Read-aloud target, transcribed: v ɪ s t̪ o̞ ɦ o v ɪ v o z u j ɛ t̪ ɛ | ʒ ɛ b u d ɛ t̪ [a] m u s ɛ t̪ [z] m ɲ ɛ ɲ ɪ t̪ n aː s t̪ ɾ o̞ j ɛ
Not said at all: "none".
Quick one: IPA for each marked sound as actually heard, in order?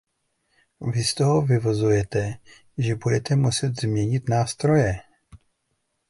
ɛ, z

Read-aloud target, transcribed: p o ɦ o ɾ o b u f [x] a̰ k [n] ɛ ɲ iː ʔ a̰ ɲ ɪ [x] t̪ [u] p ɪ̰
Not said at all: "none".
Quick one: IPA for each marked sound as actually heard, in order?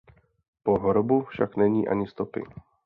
ʃ, n, s, o

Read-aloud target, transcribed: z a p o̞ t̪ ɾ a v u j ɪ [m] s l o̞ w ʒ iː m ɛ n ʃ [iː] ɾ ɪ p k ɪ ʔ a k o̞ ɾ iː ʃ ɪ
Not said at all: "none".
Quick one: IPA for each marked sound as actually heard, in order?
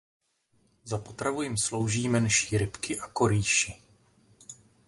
m, iː

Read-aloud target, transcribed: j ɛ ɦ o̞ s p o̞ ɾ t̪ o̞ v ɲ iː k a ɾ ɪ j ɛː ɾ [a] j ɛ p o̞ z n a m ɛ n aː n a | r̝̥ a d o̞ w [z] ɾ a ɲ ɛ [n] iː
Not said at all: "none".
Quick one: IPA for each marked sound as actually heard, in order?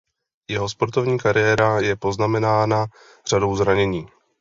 a, z, ɲ

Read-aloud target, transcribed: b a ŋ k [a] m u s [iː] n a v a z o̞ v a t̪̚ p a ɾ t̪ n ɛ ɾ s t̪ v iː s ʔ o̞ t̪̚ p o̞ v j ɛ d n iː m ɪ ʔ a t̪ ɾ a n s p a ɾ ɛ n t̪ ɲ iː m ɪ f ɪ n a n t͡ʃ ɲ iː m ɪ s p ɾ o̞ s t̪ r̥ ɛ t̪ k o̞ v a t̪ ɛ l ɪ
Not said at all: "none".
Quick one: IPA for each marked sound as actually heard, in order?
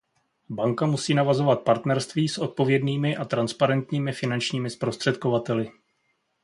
a, iː

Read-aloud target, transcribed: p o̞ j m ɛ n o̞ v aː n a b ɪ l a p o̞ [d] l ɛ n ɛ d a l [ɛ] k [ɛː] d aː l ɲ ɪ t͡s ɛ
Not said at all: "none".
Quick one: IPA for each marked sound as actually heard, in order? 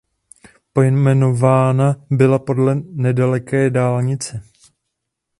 d, ɛ, ɛː

